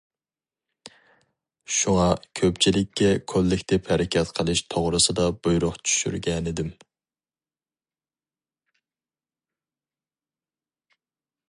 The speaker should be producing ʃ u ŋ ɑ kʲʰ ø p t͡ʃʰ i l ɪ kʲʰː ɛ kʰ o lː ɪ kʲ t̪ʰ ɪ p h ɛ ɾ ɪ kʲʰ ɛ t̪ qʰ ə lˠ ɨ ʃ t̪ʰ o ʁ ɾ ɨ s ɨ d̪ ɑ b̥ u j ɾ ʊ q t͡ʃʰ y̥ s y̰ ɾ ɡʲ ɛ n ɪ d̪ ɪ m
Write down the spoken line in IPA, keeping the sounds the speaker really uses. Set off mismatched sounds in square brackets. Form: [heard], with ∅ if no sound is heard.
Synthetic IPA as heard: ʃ u ŋ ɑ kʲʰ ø p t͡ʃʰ i l ɪ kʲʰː ɛ kʰ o lː ɪ kʲ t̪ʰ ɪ p h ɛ ɾ ɪ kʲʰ ɛ t̪ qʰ ə lˠ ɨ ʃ t̪ʰ o ʁ ɾ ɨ s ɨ d̪ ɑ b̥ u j ɾ ʊ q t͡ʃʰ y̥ [ʃ] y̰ ɾ ɡʲ ɛ n ɪ d̪ ɪ m